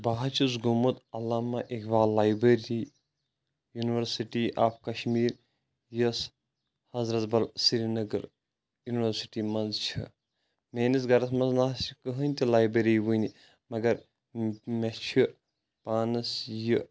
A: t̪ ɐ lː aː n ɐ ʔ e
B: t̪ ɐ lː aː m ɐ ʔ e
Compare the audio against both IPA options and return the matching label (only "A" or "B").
B